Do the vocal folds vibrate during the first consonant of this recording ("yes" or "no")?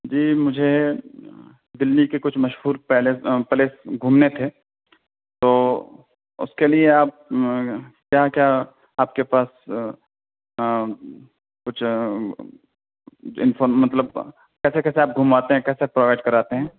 yes